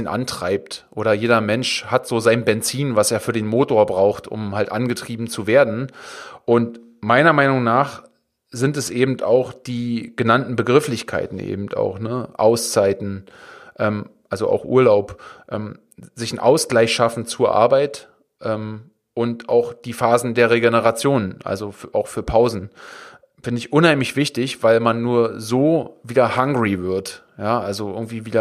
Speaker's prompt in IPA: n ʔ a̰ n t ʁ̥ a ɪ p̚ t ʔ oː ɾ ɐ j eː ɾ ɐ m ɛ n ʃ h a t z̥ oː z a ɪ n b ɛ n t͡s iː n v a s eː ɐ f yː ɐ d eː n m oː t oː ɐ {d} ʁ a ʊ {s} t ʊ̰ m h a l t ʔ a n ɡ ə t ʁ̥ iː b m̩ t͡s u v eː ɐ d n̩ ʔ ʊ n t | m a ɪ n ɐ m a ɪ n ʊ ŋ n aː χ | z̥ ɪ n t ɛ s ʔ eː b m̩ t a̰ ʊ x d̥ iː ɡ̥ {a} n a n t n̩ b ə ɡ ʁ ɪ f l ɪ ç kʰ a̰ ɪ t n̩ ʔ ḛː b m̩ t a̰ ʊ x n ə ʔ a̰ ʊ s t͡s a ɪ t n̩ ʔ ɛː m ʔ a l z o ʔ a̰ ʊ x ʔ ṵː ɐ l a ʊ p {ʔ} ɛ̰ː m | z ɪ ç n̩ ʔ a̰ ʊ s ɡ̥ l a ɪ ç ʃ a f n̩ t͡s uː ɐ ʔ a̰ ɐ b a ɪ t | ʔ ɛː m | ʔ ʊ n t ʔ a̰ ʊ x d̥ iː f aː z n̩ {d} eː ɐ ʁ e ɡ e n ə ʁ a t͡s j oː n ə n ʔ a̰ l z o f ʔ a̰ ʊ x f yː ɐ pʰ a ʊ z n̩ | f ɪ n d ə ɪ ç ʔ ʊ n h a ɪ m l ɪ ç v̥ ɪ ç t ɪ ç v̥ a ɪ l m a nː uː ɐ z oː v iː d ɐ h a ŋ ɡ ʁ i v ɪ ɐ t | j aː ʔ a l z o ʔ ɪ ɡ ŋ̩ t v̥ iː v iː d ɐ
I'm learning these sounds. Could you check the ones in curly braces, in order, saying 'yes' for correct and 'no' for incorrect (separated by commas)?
no, no, no, yes, yes